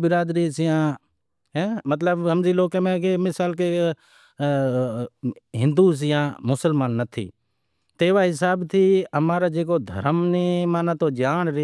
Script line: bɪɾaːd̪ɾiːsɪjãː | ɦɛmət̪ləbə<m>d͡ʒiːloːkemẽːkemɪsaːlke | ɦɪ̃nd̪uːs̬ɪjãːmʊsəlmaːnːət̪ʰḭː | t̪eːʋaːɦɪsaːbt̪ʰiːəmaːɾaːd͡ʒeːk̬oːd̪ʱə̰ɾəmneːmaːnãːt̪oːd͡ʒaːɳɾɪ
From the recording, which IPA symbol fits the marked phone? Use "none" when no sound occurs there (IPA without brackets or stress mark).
m